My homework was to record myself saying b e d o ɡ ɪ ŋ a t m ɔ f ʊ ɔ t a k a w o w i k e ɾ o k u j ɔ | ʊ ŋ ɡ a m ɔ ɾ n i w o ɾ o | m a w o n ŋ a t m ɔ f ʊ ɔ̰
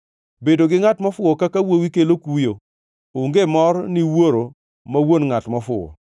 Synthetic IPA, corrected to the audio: b e d o ɡ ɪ ŋ a t m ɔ f ʊ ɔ k a k a w o w i k e l o k u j o | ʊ ŋ ɡ e m ɔ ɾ n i w o ɾ o | m a w o n ŋ a t m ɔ f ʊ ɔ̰